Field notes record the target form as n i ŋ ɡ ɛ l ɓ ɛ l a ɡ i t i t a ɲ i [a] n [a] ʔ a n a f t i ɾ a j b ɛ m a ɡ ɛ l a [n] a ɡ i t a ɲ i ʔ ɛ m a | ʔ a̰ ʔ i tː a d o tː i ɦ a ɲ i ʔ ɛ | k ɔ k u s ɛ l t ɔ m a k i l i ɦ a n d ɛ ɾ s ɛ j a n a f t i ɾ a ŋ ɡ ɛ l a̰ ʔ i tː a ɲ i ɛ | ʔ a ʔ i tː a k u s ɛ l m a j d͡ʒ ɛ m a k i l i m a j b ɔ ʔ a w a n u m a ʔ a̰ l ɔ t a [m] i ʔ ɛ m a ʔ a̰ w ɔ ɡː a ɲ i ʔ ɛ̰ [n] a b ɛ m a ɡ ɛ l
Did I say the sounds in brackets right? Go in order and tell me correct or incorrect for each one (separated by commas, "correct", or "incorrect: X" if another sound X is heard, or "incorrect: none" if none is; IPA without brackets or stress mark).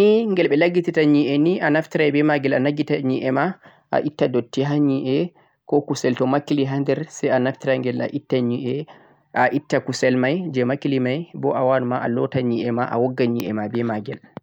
incorrect: ɛ, incorrect: i, correct, incorrect: ɲ, incorrect: m